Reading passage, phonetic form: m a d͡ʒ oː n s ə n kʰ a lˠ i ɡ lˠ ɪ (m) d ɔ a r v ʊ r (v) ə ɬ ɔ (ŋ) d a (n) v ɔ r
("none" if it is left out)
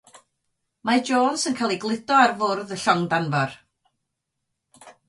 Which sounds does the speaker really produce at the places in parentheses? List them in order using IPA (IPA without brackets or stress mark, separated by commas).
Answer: none, ð, ŋ, n